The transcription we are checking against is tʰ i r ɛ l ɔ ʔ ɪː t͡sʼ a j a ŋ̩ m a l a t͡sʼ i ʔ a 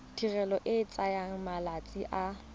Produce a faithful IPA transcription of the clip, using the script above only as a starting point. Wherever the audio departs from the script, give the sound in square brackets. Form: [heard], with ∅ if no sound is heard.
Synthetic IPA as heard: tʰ i r ɛ l ɔ ʔ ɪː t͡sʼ a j a ŋ̩ m a l a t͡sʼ i ʔ a